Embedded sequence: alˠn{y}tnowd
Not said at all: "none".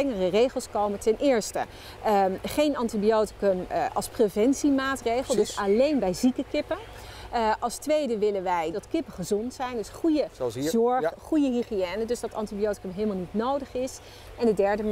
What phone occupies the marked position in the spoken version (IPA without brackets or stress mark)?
i